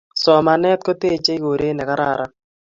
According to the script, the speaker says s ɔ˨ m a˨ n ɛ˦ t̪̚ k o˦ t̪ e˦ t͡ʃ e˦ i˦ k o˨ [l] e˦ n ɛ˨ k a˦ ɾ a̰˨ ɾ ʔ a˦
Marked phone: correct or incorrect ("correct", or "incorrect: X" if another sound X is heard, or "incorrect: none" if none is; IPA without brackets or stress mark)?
incorrect: ɾ